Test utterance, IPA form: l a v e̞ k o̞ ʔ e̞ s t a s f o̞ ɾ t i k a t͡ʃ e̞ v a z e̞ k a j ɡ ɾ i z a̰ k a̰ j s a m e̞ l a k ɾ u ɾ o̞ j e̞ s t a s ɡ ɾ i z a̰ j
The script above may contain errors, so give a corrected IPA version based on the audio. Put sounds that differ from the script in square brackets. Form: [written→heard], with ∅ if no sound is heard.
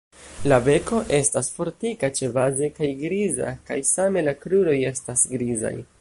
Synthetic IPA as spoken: l a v e̞ k o̞ ʔ e̞ s t a s f o̞ ɾ t i k a t͡ʃ e̞ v a z e̞ k a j ɡ ɾ i z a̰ k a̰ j s a m e̞ l a k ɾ u ɾ o̞ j e̞ s t a s ɡ ɾ i z a̰ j